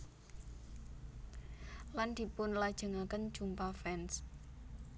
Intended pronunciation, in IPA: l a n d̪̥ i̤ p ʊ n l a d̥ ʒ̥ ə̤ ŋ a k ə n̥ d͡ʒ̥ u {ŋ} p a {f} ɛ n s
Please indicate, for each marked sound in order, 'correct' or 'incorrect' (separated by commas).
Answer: incorrect, correct